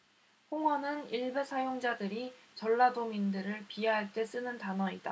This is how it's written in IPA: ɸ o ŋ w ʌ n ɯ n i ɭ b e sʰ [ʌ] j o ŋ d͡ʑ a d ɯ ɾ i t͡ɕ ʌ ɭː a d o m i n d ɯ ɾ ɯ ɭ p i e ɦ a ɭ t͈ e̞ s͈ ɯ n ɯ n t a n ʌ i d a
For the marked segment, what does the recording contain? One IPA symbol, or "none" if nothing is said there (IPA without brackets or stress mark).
a